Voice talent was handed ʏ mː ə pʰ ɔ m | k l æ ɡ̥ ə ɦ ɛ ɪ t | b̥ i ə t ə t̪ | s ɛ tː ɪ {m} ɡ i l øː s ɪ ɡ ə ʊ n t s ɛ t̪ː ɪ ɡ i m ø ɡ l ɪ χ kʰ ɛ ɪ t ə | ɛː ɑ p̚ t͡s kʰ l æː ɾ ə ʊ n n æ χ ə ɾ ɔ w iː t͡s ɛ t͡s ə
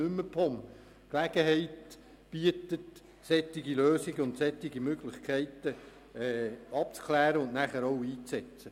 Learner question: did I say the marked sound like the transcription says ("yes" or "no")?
no